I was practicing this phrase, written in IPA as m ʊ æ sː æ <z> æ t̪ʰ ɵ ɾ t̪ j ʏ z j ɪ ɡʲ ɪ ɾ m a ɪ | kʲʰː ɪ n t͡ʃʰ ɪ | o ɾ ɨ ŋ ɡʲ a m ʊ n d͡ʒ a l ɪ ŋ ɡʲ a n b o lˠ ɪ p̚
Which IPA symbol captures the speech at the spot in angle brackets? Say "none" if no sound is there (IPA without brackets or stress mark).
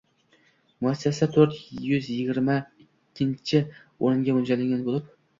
s